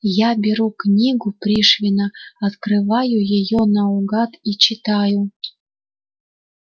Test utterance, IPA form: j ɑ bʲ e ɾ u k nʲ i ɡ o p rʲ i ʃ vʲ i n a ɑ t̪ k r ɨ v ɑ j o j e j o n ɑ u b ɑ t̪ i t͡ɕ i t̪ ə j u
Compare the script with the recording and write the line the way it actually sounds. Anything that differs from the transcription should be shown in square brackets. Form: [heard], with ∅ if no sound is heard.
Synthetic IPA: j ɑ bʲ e ɾ u k nʲ i ɡ [u] p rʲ i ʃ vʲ i n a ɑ t̪ k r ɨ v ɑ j [u] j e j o n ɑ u [ɡ] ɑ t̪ i t͡ɕ i t̪ [ɑ] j u